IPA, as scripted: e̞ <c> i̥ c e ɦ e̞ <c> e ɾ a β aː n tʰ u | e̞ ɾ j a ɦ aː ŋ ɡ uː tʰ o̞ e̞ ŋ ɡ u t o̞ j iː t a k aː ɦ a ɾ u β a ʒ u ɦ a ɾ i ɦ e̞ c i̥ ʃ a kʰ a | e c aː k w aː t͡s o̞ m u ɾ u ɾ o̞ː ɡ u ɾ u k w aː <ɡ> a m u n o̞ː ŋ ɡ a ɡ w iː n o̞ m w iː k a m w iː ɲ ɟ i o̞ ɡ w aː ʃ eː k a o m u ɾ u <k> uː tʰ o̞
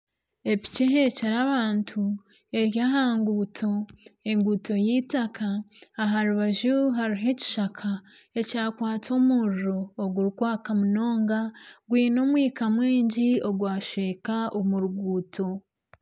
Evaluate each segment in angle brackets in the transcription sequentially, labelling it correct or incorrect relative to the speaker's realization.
incorrect: p, correct, incorrect: k, incorrect: ɡ

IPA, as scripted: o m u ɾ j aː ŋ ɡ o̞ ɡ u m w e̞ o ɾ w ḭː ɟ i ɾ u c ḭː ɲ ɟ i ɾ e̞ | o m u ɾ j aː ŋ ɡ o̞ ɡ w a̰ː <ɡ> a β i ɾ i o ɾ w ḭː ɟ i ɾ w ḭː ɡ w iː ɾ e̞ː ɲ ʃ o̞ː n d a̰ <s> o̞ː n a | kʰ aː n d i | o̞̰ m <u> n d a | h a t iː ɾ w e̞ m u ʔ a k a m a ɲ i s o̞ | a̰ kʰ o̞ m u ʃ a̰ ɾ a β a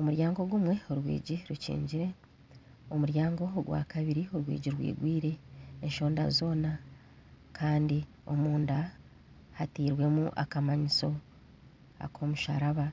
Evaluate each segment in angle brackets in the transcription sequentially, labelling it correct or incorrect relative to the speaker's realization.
incorrect: k, incorrect: z, incorrect: uː

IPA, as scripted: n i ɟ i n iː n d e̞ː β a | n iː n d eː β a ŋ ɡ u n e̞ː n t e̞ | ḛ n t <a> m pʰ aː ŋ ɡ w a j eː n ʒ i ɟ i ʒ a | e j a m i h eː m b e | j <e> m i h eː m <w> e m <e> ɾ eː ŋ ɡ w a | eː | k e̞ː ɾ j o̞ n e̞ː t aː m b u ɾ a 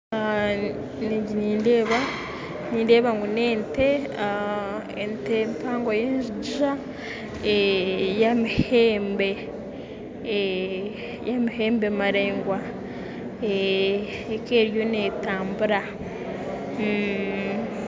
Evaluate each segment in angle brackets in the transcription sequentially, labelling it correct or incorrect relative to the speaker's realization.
incorrect: e, incorrect: a, incorrect: b, incorrect: a

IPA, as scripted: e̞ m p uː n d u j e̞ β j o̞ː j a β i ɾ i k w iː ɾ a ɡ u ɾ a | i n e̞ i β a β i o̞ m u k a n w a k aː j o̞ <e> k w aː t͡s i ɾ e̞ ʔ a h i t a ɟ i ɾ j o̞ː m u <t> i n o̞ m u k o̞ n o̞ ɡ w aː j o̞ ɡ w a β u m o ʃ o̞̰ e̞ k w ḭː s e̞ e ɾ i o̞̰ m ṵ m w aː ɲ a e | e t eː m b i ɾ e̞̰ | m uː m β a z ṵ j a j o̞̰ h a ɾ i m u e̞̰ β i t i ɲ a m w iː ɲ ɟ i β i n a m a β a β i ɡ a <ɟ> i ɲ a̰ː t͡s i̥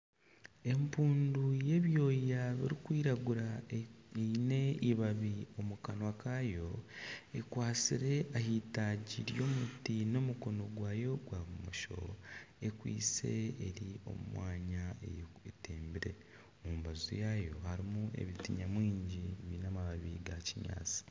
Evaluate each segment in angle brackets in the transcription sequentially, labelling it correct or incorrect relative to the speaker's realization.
correct, correct, incorrect: c

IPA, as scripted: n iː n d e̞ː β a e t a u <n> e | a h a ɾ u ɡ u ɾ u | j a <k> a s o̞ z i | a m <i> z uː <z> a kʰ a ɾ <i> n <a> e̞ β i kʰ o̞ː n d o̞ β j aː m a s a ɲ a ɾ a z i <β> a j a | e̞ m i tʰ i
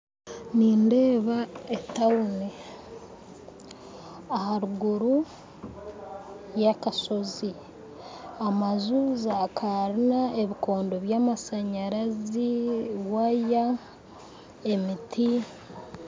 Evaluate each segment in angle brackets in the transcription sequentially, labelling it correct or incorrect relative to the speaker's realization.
correct, correct, incorrect: a, correct, correct, correct, incorrect: w

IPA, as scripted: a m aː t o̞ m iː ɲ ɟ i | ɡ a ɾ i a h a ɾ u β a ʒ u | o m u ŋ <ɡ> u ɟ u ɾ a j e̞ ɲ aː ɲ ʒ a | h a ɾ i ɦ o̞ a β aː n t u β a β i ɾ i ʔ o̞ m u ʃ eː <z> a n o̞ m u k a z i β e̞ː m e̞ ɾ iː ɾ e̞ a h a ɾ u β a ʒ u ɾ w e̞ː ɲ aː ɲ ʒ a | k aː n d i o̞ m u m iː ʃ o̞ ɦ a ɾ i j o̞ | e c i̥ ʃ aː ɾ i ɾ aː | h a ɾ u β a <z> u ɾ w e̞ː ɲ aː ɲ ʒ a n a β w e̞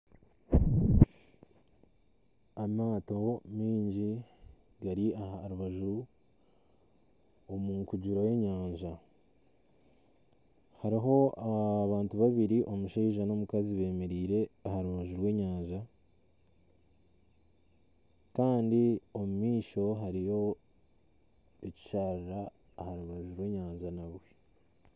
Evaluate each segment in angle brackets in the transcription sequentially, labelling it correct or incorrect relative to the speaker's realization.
incorrect: k, incorrect: ʒ, incorrect: ʒ

